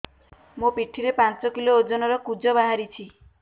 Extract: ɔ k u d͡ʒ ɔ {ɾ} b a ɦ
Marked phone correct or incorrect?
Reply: incorrect: none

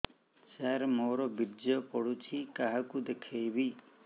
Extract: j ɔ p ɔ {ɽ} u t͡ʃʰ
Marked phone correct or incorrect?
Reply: correct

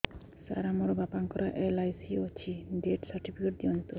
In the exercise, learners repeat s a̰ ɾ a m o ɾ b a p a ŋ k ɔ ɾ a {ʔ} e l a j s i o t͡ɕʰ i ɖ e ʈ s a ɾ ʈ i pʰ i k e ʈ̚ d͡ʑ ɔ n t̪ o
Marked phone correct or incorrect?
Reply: correct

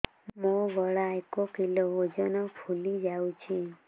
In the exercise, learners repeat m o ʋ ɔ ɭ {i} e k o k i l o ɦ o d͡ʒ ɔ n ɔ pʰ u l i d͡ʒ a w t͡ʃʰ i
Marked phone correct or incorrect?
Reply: incorrect: a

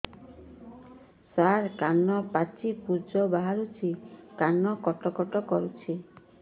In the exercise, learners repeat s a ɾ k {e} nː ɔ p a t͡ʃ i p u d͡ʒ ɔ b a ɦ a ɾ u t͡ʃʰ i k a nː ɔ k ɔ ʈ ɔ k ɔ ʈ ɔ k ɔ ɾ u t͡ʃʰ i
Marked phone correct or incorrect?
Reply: incorrect: a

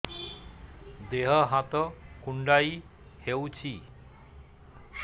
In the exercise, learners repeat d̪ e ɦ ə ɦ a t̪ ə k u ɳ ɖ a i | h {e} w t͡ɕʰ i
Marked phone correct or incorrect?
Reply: correct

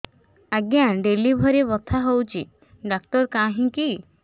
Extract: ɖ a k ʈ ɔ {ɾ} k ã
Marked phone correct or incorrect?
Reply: correct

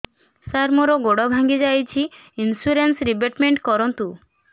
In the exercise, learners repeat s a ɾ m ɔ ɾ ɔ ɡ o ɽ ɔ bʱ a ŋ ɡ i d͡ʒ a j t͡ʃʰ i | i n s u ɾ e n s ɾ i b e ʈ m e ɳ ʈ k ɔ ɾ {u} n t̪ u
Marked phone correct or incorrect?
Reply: incorrect: ɔ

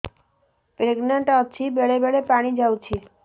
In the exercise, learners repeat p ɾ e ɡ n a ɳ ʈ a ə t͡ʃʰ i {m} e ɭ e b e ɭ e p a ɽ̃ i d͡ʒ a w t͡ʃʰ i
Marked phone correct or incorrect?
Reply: incorrect: b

